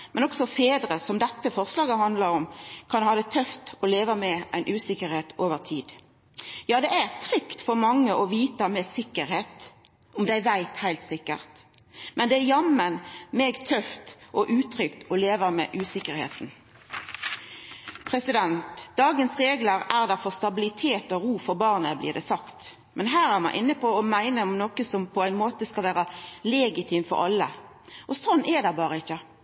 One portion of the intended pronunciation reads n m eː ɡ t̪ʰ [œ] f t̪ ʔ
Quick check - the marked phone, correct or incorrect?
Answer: correct